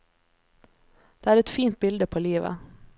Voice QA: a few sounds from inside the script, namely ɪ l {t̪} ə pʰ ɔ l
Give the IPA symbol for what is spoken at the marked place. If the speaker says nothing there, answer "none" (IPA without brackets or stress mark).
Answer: d̪